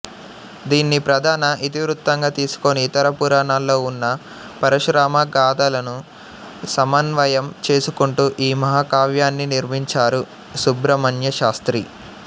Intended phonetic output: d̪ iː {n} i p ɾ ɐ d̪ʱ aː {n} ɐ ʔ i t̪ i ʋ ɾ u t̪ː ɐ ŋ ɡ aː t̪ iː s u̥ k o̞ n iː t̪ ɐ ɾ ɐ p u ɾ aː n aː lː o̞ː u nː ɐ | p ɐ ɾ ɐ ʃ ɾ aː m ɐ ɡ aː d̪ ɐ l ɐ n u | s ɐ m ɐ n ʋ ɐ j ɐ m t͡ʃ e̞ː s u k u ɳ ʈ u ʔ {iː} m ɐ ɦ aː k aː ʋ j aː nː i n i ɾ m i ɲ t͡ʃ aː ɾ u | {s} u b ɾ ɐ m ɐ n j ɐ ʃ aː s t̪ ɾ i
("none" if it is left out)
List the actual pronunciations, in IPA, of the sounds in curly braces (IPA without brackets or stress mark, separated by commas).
nː, n, iː, s